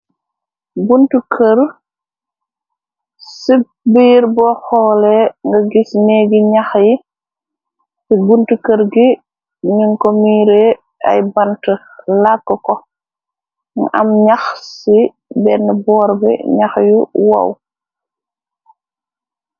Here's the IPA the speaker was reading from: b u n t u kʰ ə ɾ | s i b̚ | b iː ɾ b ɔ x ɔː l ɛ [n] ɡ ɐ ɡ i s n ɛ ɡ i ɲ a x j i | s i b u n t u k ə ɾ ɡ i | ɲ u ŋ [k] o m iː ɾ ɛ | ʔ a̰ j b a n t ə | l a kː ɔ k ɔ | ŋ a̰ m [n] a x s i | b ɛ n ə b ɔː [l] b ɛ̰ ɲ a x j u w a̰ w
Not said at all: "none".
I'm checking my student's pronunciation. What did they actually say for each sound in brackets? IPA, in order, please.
ŋ, k, ɲ, ɾ

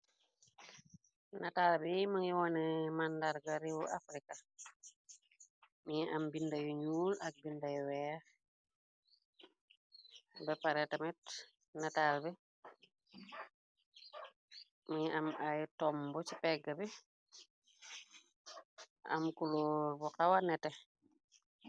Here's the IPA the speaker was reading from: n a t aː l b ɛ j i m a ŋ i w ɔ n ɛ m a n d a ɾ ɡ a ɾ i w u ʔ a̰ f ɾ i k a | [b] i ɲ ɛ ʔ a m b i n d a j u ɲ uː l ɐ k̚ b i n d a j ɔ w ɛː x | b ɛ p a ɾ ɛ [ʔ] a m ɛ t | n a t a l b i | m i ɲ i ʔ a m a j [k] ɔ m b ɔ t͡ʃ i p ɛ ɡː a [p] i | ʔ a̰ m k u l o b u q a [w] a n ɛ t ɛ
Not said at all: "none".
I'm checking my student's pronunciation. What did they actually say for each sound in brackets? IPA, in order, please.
m, t, t, b, w

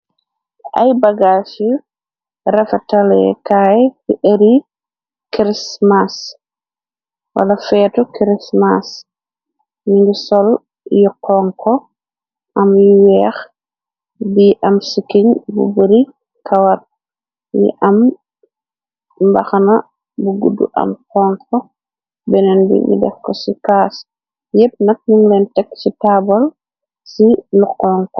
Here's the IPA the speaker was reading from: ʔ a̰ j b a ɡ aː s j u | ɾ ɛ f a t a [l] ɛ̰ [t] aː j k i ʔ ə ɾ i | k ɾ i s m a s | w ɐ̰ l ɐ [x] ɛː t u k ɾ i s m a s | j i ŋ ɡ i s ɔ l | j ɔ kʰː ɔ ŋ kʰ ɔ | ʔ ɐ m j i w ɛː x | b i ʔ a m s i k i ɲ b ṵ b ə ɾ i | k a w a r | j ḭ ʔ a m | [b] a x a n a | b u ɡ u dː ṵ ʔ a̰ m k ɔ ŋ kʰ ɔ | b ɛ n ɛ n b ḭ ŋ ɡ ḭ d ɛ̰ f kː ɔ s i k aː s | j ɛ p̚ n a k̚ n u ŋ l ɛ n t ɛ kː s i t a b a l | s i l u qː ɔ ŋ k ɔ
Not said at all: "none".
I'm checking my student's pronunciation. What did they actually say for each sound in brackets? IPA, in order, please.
l, k, f, b

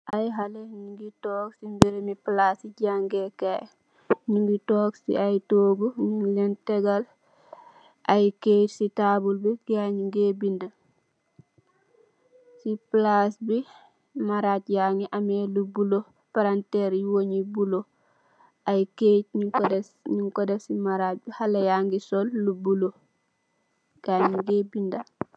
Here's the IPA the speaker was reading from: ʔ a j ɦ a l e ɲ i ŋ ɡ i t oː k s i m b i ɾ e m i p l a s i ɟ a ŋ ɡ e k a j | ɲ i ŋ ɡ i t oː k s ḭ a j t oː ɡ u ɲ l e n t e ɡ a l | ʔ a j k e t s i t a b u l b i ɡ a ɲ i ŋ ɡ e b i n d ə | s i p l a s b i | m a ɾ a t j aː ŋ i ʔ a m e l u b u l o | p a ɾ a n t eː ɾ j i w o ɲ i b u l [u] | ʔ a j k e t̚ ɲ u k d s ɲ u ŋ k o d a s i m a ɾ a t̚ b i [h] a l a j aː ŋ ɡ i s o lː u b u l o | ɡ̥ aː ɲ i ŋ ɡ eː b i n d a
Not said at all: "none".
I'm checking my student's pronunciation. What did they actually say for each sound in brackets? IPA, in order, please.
o, h

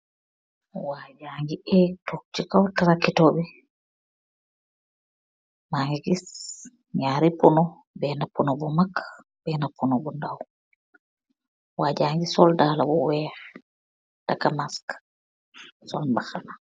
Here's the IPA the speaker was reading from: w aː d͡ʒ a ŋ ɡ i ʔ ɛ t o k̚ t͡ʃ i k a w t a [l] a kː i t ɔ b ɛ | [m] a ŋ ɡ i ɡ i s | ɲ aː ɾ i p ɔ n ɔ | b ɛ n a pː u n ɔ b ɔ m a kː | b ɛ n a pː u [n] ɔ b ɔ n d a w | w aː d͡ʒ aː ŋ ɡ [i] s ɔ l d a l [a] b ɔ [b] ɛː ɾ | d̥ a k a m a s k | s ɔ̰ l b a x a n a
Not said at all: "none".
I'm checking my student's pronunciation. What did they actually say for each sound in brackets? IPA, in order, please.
ɾ, m, n, i, a, w

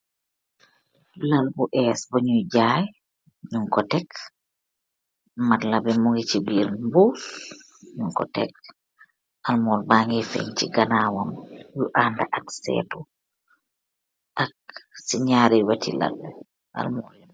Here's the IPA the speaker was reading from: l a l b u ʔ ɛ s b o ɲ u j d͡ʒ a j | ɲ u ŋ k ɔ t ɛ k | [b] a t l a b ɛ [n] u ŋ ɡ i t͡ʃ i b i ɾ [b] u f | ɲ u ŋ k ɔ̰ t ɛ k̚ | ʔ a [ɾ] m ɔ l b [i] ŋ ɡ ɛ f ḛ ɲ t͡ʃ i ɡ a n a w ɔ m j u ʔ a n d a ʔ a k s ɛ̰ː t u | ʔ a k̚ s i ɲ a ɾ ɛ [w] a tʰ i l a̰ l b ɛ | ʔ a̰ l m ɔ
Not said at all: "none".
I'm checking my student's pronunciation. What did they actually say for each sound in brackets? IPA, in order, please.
m, m, b, l, a, w

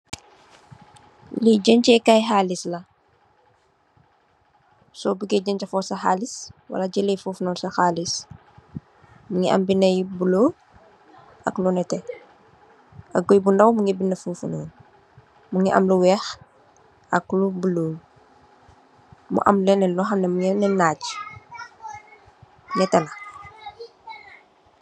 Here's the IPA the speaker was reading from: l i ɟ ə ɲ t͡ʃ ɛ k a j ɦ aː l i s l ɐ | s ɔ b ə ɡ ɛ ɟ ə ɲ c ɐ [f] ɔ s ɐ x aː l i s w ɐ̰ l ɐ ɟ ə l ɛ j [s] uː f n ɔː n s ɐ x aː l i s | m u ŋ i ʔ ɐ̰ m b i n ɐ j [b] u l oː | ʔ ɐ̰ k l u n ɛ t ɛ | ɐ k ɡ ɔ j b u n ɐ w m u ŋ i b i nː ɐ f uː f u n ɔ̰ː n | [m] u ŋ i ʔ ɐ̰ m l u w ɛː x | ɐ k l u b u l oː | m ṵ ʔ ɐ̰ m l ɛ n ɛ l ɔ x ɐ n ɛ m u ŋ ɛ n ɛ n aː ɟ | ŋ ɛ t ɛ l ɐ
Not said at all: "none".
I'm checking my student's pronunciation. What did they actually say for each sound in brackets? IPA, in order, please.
f, f, b, m

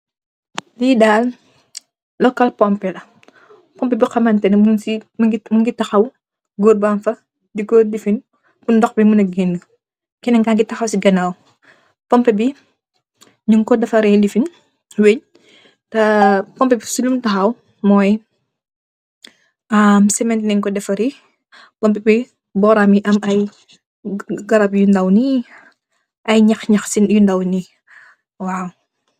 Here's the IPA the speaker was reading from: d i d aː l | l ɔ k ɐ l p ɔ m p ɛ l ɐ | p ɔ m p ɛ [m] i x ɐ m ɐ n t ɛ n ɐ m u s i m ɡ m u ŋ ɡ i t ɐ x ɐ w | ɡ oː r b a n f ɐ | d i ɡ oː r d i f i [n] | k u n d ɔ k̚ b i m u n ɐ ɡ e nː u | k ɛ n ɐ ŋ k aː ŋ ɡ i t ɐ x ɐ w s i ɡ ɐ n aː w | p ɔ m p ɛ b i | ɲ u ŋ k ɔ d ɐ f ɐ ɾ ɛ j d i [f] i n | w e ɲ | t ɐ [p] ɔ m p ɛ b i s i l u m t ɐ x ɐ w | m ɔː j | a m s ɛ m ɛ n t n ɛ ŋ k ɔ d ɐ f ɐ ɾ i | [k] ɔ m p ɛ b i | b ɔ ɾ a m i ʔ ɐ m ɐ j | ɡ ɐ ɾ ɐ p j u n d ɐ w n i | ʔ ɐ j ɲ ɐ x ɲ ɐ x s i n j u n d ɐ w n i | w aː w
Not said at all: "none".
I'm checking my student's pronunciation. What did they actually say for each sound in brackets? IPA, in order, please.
b, n, f, p, p

